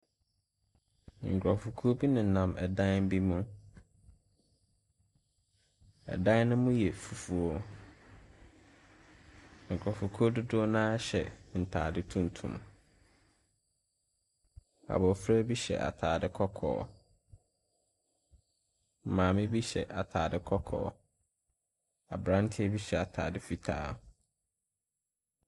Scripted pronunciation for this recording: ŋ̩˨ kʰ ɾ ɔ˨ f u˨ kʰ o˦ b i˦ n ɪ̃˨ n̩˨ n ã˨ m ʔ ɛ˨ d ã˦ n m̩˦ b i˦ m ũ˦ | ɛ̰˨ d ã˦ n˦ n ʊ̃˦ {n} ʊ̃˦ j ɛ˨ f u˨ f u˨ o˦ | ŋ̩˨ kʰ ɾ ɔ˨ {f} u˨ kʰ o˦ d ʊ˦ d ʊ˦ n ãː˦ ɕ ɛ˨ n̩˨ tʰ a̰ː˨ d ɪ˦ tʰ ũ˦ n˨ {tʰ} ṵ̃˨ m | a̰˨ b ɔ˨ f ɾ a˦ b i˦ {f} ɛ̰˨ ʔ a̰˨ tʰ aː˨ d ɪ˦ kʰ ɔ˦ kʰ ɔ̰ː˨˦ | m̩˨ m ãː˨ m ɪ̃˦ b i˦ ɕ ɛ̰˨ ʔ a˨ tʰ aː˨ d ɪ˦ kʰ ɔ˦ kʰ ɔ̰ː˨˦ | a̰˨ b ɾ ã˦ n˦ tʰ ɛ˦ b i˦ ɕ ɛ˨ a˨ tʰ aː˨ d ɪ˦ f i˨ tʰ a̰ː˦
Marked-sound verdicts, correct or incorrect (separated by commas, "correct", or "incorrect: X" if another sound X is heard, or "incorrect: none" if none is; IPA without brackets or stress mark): incorrect: m, correct, correct, incorrect: ɕ